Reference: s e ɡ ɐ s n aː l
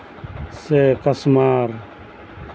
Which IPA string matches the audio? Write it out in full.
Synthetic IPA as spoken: s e k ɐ s m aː ɾ